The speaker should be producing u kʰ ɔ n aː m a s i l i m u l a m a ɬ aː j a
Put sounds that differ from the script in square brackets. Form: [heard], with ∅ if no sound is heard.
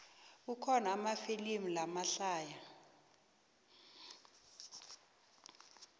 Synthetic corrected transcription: u kʰ ɔ n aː m a [f] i l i m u l a m a ɬ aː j a